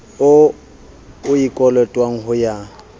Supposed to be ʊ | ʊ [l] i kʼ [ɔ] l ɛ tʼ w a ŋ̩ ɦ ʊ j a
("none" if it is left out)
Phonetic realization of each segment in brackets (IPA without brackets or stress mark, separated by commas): none, ɔ